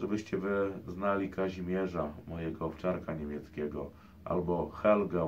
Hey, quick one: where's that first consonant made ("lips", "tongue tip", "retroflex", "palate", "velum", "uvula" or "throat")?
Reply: retroflex